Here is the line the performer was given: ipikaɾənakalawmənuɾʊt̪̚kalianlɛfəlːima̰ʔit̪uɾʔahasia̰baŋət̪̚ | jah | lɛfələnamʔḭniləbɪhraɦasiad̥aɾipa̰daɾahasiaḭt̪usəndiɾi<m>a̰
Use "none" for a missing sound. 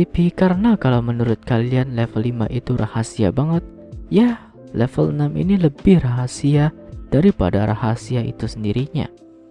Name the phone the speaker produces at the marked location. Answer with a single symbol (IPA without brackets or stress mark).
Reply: ɲ